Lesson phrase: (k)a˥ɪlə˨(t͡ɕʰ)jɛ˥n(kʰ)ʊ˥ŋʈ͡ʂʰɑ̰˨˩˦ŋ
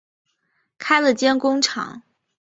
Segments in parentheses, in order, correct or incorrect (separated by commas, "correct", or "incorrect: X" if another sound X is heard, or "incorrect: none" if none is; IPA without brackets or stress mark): incorrect: kʰ, incorrect: t͡ɕ, incorrect: k